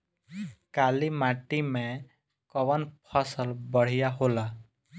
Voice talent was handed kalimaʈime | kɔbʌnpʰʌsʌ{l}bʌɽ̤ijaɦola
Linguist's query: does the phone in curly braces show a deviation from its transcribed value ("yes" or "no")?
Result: no